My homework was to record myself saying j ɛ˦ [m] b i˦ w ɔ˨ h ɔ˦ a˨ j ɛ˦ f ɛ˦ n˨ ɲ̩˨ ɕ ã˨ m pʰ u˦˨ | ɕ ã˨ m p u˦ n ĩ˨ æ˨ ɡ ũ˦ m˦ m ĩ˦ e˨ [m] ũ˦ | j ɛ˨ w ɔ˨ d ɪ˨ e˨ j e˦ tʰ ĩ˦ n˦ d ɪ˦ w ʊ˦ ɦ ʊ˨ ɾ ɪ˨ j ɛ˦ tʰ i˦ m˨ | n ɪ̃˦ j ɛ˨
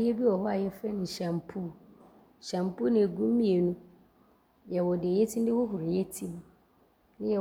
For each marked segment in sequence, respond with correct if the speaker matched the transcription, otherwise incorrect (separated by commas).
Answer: incorrect, incorrect